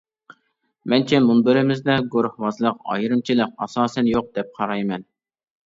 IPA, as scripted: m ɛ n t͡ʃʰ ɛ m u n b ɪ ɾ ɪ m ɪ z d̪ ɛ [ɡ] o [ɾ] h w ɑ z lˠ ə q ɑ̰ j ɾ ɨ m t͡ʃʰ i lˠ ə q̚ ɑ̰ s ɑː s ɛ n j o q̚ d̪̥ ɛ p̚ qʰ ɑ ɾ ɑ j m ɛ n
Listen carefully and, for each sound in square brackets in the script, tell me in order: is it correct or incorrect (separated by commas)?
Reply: correct, correct